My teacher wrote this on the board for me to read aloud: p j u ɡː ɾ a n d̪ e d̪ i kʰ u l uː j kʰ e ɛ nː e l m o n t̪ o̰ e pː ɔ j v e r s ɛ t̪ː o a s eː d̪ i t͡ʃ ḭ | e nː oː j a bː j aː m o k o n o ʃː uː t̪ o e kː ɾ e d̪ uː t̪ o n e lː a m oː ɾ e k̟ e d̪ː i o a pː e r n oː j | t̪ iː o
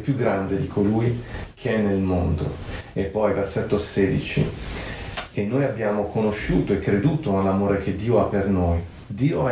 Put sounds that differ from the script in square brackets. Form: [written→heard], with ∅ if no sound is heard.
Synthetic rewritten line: p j u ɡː ɾ a n d̪ e d̪ i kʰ [u→o] l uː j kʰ e ɛ nː e l m o n [t̪→d̪] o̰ e pː ɔ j v e r s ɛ t̪ː o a s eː d̪ i t͡ʃ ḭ | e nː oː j a bː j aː m o k o n o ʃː uː t̪ o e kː ɾ e d̪ uː t̪ o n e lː a m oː ɾ e k̟ e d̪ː [i→iː] o a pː e r n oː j | [t̪→d̪] iː o